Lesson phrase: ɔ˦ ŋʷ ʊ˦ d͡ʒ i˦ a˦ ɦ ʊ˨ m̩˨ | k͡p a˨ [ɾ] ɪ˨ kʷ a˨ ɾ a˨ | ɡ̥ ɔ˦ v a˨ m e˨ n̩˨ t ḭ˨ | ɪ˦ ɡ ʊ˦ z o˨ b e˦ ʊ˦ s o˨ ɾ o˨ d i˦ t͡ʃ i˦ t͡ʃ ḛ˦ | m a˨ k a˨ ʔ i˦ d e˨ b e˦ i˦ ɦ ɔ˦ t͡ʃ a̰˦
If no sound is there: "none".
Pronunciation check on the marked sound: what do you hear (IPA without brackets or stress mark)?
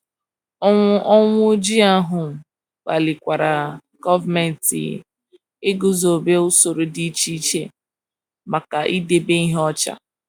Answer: l